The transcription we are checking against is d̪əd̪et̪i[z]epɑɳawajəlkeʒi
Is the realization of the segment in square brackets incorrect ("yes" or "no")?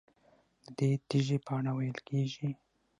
yes